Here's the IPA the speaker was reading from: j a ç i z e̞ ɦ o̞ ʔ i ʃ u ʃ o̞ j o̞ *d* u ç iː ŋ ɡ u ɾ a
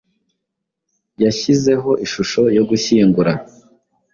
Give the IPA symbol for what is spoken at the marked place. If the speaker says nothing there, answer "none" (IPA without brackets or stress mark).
ɡ